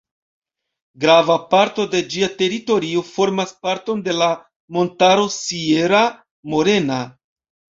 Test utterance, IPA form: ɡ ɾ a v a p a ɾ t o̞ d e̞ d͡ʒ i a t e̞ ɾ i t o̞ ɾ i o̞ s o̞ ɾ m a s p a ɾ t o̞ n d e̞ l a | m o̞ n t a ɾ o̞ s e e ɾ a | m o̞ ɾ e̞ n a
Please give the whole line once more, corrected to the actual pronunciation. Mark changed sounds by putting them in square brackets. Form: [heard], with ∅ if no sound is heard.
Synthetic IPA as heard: ɡ ɾ a v a p a ɾ t o̞ d e̞ d͡ʒ i a t e̞ ɾ i t o̞ ɾ i o̞ [f] o̞ ɾ m a s p a ɾ t o̞ n d e̞ l a | m o̞ n t a ɾ o̞ s [i] e ɾ a | m o̞ ɾ e̞ n a